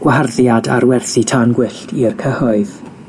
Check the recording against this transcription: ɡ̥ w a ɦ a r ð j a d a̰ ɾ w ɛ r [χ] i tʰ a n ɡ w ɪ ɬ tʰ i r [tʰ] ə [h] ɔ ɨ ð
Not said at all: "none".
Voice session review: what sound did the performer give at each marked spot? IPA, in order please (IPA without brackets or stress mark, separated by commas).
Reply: θ, kʰ, h